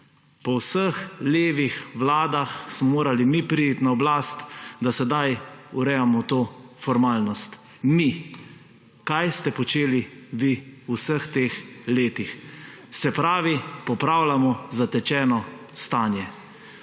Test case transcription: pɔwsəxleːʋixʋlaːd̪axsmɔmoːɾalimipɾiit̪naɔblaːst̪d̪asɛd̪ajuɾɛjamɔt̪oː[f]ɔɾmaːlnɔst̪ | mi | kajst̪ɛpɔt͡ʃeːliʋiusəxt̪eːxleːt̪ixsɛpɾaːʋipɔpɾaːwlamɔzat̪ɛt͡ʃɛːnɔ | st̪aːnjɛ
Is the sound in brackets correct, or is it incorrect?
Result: correct